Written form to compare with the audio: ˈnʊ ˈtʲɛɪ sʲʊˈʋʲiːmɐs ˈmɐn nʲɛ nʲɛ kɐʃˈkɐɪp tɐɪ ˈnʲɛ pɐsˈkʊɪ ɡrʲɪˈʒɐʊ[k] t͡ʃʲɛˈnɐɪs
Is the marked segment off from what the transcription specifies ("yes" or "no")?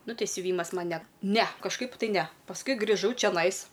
yes